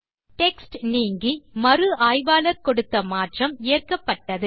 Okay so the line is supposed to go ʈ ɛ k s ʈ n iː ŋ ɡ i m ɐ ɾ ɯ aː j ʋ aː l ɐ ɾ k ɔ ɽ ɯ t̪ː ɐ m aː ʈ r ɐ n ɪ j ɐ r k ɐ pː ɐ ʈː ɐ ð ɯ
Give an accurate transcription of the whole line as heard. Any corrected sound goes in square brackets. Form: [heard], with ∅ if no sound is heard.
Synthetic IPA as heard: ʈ ɛ k s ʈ n iː ŋ ɡ i m ɐ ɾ ɯ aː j ʋ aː l ɐ ɾ k ɔ ɽ ɯ t̪ː ɐ m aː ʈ r ɐ [m] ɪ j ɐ r k ɐ pː ɐ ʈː ɐ ð ɯ